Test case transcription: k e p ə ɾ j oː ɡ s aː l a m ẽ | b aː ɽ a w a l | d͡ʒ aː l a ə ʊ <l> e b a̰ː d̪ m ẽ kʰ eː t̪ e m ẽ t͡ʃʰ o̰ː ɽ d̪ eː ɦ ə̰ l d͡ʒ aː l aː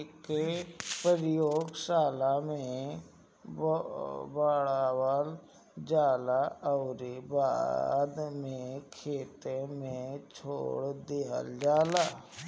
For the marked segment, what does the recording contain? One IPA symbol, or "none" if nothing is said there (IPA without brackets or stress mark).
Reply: ɾ